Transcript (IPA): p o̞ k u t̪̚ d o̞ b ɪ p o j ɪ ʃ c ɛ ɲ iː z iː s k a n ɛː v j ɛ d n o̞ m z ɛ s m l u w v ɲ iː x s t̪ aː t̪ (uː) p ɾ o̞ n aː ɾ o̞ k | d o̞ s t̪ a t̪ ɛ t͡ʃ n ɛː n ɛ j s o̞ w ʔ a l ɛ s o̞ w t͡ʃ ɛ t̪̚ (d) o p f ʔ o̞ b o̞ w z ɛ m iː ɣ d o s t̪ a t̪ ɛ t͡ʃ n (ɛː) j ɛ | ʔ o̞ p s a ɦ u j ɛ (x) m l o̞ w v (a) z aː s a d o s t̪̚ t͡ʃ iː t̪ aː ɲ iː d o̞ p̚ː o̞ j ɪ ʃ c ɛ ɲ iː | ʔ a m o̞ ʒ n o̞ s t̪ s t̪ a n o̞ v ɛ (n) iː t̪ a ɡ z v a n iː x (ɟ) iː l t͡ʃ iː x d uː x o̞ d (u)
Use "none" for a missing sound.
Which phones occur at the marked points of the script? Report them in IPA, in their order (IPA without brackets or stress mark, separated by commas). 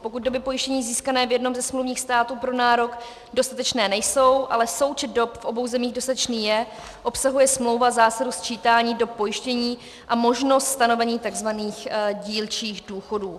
uː, d, iː, s, a, ɲ, ɟ, uː